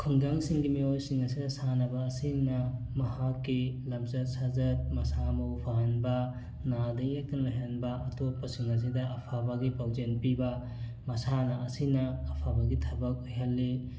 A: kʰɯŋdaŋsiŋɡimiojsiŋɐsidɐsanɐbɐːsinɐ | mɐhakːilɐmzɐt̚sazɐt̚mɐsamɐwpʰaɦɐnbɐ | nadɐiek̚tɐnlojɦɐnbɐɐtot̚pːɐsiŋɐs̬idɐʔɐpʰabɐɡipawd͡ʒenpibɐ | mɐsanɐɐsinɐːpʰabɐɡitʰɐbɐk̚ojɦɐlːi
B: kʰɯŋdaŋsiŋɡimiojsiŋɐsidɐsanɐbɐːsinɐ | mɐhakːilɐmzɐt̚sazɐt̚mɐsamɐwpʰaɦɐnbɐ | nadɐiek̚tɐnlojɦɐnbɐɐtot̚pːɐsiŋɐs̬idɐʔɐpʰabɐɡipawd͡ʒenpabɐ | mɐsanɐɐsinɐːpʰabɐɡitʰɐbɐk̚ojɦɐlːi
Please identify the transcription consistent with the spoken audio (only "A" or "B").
A